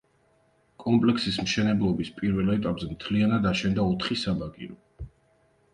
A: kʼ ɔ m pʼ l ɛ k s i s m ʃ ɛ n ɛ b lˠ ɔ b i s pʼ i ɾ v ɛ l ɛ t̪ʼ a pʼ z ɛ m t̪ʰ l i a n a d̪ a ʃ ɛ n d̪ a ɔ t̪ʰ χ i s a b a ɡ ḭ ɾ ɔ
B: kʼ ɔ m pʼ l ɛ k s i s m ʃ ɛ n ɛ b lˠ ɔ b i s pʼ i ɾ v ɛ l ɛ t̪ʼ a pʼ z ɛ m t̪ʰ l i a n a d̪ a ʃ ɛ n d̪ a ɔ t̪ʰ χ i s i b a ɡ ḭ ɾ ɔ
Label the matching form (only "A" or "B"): A